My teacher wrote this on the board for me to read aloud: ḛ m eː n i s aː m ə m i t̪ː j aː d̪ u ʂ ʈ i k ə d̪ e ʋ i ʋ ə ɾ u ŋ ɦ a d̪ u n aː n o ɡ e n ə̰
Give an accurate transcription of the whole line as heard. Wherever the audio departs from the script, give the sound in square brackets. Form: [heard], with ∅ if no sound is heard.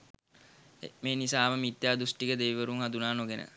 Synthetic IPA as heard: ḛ m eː n i s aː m ə m i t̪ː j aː d̪ u [s] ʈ i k ə d̪ e ʋ i ʋ ə ɾ u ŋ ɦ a d̪ u n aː n o ɡ e n ə̰